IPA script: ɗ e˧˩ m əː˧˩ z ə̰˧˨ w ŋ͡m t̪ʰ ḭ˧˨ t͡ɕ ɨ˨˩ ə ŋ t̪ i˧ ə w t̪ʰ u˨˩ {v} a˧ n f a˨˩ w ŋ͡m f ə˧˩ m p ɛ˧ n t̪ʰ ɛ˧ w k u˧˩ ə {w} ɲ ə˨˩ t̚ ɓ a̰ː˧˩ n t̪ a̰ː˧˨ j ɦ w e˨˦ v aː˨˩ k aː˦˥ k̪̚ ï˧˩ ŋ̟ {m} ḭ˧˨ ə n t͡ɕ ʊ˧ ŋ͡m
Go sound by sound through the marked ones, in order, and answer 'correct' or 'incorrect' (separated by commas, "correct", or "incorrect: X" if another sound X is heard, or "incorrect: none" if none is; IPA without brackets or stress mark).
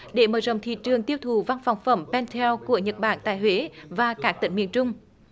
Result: correct, incorrect: none, correct